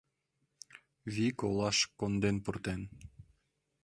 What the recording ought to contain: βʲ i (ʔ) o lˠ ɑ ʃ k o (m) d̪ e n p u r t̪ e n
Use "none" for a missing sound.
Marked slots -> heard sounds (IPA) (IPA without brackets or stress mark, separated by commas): k, n